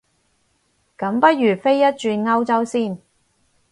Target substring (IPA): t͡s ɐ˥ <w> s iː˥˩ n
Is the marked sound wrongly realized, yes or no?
no